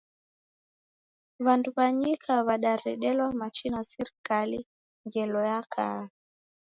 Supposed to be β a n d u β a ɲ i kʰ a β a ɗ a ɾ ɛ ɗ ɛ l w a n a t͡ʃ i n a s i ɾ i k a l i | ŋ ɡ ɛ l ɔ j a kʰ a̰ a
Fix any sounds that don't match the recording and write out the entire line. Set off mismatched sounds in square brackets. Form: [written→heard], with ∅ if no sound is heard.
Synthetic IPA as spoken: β a n d u β a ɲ i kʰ a β a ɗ a ɾ ɛ ɗ ɛ l w a [n→m] a t͡ʃ i n a s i ɾ i k a l i | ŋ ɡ ɛ l ɔ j a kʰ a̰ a